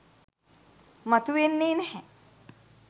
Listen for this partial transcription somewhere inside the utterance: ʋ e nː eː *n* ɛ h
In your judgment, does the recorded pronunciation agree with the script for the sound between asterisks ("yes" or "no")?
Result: yes